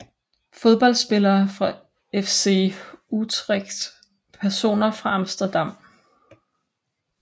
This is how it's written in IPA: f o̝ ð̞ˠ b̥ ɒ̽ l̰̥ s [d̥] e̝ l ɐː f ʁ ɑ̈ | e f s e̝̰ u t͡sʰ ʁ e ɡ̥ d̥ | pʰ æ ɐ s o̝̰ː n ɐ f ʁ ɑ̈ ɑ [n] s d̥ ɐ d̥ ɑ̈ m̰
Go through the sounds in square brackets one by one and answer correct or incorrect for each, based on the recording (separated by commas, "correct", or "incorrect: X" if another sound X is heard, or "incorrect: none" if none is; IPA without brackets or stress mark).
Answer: incorrect: b̥, incorrect: m